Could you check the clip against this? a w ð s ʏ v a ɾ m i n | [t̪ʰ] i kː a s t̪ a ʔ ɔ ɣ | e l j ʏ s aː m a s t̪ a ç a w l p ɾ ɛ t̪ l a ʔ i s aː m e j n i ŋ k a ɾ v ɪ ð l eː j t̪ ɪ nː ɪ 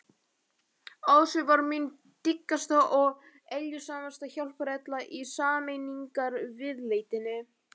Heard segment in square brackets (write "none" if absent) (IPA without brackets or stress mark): t̪